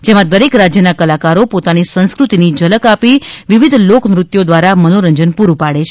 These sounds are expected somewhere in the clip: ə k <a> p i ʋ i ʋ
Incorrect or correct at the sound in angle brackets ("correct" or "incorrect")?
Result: correct